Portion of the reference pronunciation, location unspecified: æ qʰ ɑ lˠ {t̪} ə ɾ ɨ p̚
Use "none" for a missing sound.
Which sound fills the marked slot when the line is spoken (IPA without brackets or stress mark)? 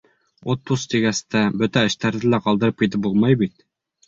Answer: d̪